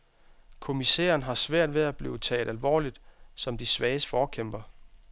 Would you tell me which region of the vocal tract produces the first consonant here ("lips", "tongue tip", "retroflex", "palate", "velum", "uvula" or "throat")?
velum